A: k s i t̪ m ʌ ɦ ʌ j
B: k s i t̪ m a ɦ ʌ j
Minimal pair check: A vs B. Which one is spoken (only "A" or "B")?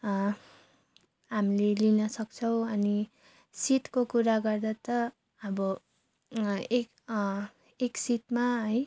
B